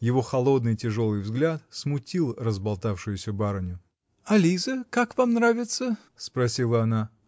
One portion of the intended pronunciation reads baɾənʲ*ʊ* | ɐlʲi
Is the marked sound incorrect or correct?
correct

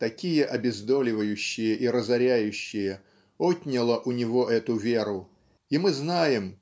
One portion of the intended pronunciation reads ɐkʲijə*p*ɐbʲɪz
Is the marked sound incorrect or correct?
incorrect: ʔ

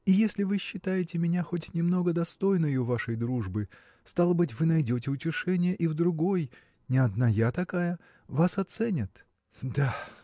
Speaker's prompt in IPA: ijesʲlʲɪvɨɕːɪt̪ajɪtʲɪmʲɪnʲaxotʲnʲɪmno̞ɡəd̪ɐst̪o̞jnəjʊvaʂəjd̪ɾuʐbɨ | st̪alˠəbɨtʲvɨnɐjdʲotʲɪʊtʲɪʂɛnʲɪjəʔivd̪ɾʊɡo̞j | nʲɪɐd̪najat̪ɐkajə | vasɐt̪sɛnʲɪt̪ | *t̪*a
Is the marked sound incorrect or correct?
incorrect: d̪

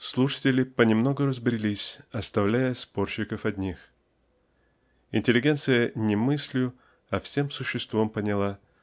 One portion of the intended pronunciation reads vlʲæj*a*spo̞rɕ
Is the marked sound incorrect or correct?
incorrect: ə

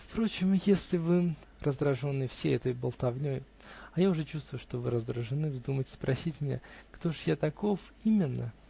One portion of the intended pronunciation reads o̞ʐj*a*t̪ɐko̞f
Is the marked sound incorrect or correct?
correct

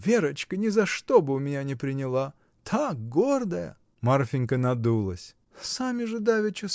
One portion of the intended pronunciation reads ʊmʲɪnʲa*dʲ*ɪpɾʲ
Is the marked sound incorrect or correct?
incorrect: nʲ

